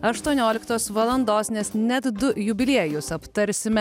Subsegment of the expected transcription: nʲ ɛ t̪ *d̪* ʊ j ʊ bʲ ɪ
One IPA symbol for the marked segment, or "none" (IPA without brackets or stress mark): d̪